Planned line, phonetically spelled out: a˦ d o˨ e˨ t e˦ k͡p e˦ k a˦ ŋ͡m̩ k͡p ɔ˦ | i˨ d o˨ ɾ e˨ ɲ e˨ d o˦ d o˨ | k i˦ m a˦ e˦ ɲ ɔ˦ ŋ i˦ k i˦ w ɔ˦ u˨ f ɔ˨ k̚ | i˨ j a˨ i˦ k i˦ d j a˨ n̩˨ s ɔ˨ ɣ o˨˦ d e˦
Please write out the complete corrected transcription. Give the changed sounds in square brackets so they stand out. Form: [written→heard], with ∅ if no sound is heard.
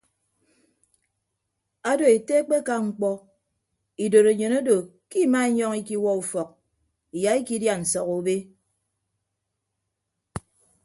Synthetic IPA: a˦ d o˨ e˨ t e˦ k͡p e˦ k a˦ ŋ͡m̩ k͡p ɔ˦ | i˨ d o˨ ɾ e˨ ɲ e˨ [d→n] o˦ d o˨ | k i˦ m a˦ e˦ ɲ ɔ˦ ŋ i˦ k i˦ w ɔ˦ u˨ f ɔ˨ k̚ | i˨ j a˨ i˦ k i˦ d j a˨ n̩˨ s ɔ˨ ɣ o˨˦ [d→b] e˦